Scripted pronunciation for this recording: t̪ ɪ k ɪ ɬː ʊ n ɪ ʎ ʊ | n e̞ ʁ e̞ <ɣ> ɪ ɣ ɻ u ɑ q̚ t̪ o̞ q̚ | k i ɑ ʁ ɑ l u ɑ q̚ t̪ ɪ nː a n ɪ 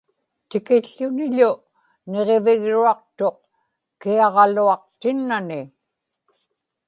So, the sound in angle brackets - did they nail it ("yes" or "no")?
no